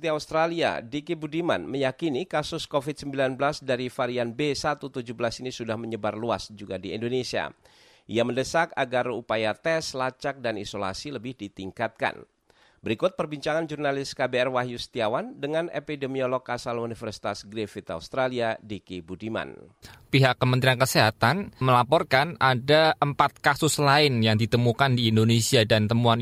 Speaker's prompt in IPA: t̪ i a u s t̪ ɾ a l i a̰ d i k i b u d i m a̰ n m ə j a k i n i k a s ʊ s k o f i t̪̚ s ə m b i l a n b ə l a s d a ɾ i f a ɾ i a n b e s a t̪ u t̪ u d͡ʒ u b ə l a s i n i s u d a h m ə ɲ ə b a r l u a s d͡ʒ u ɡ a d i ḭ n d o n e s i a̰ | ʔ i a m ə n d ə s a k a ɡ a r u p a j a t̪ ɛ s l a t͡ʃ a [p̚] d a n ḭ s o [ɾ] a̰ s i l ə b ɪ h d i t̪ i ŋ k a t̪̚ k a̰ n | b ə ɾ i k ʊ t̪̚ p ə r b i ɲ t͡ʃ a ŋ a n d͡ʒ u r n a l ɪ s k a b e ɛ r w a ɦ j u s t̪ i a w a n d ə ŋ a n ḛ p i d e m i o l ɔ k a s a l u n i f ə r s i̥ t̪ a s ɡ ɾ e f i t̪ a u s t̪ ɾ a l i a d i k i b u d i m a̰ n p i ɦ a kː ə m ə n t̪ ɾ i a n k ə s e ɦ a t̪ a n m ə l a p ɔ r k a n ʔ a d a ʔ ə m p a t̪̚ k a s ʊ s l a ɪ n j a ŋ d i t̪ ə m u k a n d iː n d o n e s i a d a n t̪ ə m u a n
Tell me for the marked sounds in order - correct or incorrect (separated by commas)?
incorrect, incorrect